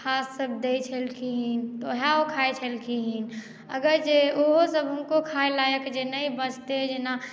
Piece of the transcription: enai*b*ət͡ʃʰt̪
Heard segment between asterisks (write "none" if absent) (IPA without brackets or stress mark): b